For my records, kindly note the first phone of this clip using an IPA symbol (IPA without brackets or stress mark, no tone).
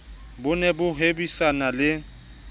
b